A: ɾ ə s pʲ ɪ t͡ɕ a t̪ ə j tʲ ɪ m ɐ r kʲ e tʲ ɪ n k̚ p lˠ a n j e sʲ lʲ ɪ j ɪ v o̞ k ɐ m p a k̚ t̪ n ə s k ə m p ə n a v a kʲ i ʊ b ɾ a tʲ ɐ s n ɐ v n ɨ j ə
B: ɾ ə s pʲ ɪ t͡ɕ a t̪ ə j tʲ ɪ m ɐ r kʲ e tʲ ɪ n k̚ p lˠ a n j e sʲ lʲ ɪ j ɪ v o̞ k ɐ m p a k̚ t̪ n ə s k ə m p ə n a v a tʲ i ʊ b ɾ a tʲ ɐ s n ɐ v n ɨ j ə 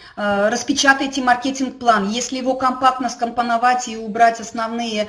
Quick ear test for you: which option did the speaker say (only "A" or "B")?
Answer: B